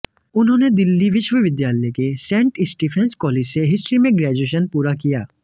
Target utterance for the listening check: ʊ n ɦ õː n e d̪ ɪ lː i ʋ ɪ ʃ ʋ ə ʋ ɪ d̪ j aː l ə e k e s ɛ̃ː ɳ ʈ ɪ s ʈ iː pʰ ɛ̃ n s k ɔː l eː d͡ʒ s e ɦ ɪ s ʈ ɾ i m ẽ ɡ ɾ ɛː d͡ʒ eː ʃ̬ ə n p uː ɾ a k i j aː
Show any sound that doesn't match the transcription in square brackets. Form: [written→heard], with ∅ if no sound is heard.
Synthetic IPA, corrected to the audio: ʊ n ɦ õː n e d̪ ɪ lː i ʋ ɪ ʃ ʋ ə ʋ ɪ d̪ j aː l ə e k e s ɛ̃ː ɳ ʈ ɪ s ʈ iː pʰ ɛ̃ n s k ɔː l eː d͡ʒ s e ɦ ɪ s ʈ ɾ i m ẽ ɡ ɾ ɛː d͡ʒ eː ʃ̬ ə n p uː ɾ a k i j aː